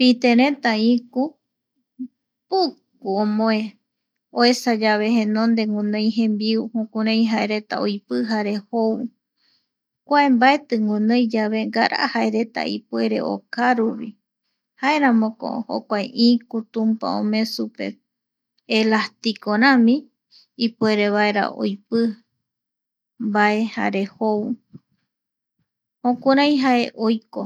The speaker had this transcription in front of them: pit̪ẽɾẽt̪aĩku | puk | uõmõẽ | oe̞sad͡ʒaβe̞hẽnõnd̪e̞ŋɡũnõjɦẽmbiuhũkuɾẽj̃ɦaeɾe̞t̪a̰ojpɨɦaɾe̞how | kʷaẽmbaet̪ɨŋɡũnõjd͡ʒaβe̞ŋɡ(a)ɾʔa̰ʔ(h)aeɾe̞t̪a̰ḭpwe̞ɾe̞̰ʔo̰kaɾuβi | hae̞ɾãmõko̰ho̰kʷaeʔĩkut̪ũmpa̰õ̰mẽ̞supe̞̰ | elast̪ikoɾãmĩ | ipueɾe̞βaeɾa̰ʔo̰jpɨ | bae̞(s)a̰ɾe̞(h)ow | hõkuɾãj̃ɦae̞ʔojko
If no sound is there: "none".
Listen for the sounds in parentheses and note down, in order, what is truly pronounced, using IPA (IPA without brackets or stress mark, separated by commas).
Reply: a, h, h, h